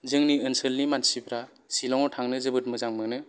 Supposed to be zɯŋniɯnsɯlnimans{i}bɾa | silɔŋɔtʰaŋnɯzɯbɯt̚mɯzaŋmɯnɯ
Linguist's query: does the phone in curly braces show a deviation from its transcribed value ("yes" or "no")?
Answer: no